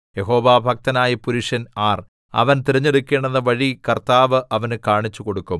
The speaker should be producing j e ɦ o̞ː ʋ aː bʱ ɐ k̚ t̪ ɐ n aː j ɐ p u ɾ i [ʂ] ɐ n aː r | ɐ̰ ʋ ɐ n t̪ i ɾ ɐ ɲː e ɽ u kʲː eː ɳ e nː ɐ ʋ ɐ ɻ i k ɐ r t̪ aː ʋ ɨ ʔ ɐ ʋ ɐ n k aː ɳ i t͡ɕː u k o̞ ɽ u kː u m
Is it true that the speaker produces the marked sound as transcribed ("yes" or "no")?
yes